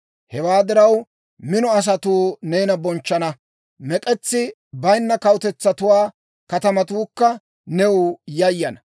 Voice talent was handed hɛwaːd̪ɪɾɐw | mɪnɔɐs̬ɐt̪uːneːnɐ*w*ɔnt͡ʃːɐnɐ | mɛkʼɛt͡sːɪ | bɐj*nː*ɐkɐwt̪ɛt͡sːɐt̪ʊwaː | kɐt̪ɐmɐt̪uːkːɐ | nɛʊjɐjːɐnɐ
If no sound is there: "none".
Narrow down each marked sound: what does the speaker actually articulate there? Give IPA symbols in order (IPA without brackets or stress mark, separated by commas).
b, nː